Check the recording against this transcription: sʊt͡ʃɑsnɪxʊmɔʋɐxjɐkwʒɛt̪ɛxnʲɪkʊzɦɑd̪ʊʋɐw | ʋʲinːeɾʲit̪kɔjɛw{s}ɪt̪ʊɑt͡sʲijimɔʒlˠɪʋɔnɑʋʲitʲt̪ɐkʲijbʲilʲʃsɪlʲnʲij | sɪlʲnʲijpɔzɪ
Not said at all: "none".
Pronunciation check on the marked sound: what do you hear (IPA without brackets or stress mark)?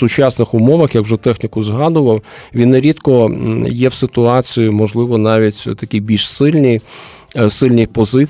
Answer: s